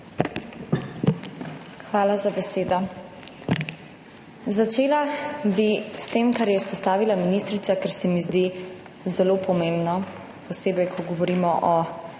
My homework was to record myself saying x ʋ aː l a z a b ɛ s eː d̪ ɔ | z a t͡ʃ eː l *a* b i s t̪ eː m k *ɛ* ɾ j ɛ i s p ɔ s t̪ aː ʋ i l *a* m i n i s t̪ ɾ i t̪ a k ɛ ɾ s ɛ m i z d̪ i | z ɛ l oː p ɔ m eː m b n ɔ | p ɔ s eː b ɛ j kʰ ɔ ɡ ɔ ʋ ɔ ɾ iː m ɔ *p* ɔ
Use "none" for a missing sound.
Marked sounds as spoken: a, a, a, ʔ

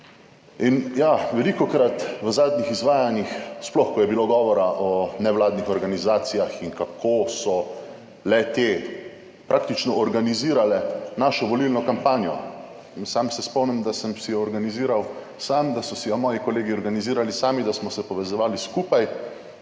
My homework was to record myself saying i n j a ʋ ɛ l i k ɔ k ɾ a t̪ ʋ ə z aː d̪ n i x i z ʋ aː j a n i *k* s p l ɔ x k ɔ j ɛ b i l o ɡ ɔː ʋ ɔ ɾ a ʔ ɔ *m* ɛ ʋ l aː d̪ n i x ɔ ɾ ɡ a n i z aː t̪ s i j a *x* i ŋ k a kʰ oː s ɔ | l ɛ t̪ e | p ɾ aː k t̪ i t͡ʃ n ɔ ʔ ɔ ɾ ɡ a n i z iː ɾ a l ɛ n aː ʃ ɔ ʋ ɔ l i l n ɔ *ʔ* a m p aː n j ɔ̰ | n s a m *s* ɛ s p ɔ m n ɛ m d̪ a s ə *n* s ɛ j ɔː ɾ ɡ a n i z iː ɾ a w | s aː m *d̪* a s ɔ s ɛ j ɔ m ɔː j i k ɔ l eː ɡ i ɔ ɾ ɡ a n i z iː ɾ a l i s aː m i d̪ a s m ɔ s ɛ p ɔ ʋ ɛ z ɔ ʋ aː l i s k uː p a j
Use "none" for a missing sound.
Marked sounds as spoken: x, n, x, k, s, m, d̪

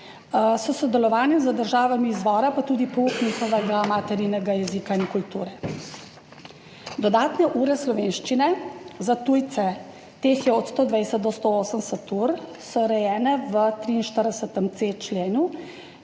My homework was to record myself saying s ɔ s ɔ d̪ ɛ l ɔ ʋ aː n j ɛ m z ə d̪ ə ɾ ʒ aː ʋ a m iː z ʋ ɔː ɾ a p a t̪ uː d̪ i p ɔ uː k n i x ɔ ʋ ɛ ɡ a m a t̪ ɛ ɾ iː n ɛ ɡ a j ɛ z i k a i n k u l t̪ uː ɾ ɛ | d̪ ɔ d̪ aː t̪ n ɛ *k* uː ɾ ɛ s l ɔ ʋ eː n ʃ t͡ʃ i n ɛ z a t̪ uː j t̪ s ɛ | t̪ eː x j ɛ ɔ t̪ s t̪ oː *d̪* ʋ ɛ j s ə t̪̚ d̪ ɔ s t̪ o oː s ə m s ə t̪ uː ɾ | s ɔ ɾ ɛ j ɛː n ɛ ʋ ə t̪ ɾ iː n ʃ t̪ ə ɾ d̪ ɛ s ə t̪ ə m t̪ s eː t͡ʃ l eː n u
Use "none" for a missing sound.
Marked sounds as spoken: ʔ, d̪

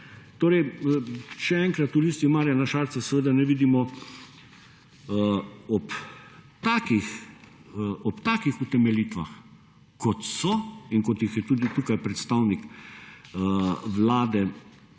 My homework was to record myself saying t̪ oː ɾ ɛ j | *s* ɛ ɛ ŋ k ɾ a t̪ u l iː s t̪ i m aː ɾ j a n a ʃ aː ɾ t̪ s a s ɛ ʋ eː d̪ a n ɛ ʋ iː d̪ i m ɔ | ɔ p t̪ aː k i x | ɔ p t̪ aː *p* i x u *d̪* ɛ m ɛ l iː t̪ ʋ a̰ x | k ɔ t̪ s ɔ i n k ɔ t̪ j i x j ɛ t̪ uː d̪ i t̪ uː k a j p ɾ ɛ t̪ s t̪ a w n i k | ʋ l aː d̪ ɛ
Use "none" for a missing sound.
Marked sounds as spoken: ʃ, k, t̪

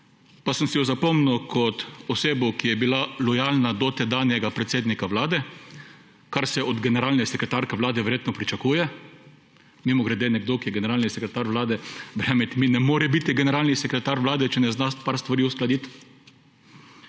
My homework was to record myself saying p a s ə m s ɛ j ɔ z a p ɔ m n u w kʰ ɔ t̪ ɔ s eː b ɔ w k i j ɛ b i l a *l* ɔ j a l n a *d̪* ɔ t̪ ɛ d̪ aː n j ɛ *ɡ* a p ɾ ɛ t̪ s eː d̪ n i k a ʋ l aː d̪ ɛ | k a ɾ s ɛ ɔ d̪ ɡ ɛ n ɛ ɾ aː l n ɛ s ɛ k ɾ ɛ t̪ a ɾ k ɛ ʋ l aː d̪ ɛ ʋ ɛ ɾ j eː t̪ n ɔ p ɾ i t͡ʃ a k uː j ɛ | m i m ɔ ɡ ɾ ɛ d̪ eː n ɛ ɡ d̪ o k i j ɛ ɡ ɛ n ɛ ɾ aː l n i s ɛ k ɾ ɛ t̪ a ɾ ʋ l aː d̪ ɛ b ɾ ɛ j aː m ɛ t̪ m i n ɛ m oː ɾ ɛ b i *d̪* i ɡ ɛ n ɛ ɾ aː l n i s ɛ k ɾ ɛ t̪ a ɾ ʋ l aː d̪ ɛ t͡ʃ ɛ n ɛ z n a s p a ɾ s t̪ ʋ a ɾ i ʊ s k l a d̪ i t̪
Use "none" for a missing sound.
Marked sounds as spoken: l, d̪, ɡ, t̪

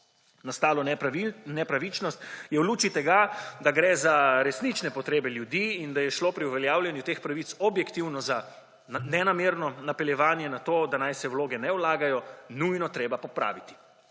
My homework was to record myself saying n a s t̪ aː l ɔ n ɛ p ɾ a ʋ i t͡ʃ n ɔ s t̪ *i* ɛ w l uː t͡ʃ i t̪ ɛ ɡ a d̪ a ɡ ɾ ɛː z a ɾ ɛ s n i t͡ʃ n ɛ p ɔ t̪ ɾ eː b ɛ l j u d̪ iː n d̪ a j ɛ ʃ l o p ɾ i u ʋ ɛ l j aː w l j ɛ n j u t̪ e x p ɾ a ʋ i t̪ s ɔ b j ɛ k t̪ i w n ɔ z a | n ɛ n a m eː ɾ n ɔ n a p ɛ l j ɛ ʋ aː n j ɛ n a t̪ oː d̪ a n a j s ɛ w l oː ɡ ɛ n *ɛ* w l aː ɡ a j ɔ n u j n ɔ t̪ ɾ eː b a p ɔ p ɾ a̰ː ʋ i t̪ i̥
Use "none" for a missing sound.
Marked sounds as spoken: j, ɛ

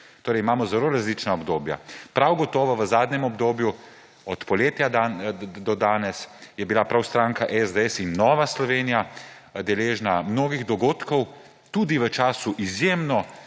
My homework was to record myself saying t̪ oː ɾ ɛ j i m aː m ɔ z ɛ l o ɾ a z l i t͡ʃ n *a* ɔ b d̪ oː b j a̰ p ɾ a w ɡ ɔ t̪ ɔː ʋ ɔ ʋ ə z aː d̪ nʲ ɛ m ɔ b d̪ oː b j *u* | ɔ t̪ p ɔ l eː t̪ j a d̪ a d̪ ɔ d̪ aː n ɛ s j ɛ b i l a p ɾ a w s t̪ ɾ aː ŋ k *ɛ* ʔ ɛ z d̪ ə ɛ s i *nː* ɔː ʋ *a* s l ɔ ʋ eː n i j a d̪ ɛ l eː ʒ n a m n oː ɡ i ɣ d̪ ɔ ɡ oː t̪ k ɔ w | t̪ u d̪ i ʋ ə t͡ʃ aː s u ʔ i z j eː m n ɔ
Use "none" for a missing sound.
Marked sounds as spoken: a, u, a, nː, a

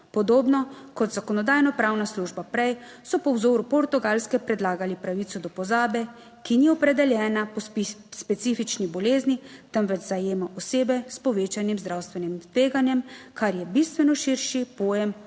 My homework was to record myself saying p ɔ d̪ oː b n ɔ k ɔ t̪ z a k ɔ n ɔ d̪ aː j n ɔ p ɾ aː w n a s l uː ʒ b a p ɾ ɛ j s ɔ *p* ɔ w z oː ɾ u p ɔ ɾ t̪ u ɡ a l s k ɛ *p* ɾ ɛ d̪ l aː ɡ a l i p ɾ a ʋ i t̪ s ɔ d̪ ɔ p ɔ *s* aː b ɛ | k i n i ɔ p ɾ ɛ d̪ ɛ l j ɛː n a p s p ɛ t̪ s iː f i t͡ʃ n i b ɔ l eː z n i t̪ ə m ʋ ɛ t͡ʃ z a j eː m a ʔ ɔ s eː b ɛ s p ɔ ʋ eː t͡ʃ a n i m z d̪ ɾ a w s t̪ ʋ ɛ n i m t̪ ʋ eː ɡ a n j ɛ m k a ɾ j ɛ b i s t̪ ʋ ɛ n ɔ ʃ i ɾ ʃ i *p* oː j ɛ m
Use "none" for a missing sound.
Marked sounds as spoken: p, p, z, p

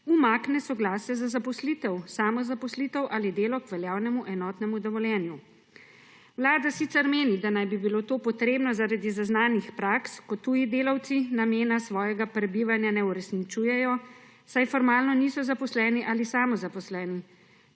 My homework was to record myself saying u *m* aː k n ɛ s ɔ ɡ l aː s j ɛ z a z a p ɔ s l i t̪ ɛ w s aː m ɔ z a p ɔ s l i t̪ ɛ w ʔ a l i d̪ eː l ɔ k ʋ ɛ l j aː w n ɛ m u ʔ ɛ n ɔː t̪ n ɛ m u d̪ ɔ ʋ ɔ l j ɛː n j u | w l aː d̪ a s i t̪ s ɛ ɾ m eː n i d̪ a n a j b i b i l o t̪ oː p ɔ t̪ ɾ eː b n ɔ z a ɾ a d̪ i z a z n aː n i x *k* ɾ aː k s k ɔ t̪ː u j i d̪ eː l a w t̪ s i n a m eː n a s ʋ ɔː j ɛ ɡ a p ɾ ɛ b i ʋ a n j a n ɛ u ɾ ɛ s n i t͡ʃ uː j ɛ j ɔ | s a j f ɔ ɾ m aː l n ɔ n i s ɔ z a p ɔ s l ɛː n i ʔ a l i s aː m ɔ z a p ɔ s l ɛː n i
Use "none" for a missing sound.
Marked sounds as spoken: m, p

